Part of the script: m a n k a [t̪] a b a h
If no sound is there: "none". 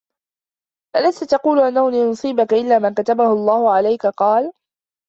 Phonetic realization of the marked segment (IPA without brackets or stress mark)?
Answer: t̪